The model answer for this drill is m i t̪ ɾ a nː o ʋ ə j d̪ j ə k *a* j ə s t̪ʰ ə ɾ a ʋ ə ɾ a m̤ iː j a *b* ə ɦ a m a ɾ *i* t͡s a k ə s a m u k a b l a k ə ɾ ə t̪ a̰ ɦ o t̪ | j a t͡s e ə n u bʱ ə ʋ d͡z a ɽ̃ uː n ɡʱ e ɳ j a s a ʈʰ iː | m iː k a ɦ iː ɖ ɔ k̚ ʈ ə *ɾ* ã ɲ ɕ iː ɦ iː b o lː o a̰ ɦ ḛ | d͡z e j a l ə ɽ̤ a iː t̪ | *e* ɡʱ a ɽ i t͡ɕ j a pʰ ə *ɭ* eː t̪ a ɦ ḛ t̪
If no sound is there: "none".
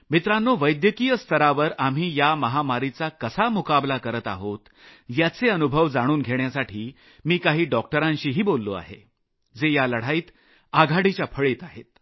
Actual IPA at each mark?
i, m, i, ɾ, a, ɭ

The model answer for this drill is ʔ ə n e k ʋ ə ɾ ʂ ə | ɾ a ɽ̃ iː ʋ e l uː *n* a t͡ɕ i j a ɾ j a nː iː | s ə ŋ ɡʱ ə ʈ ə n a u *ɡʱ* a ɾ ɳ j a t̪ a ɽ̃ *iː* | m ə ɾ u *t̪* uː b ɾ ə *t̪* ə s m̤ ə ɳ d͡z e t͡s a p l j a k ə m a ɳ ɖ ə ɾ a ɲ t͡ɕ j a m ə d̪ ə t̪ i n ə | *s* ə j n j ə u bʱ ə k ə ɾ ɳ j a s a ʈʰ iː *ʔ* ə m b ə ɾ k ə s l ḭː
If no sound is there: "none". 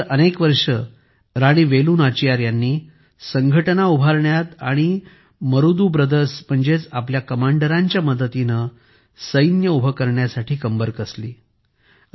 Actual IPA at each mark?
n, bʱ, i, d̪, d̪, s, k

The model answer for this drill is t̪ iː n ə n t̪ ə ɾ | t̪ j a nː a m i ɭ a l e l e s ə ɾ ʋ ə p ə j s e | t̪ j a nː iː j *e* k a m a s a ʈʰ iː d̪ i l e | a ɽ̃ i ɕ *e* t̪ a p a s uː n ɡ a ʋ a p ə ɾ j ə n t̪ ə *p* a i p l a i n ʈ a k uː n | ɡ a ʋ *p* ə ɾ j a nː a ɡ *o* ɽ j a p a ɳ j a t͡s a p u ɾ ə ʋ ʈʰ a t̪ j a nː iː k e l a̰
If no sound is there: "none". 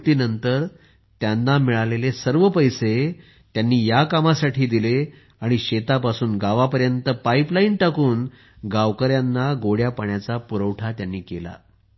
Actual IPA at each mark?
a, e, p, k, o

